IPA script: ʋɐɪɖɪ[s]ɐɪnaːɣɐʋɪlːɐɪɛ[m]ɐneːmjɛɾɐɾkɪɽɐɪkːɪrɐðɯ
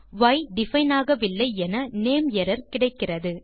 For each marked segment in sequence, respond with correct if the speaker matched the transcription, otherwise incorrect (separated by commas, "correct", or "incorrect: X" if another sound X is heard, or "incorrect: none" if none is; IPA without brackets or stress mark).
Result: incorrect: f, incorrect: n